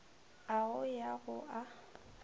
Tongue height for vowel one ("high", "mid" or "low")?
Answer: low